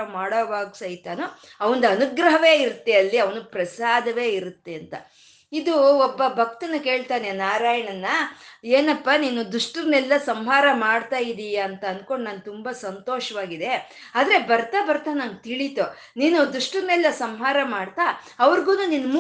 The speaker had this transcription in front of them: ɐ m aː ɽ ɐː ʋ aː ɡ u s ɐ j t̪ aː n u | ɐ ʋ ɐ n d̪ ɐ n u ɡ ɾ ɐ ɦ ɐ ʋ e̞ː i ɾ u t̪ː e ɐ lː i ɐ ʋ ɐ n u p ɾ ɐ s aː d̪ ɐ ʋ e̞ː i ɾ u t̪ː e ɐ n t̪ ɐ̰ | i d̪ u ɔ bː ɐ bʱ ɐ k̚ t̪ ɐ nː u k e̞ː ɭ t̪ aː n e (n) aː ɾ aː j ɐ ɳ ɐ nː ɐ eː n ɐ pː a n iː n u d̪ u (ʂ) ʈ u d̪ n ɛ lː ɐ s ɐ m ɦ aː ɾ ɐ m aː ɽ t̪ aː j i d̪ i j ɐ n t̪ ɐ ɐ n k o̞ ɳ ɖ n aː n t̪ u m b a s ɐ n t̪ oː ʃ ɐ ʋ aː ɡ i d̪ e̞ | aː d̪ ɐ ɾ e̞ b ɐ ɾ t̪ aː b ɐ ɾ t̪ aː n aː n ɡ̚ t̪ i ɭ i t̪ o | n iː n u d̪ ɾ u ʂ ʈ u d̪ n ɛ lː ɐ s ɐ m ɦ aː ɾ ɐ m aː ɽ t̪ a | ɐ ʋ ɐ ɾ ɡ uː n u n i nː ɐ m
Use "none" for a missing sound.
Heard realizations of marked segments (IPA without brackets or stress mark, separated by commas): n, ʂ